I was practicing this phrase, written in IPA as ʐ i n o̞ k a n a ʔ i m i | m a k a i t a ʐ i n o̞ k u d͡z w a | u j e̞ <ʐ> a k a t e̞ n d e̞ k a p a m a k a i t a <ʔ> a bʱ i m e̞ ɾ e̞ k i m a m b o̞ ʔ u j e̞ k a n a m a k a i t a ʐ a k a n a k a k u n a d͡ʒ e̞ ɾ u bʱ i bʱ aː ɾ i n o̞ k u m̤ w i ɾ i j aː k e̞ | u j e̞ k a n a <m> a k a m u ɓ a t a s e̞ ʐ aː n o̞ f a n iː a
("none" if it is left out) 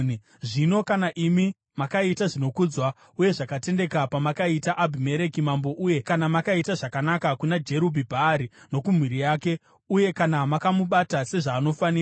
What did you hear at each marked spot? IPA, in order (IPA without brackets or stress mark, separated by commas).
ʐ, ʔ, m